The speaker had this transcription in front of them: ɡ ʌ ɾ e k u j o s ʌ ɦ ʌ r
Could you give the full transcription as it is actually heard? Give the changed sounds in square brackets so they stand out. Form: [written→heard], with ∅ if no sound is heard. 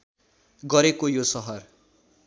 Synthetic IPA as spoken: ɡ ʌ ɾ e k [u→o] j o s ʌ ɦ ʌ r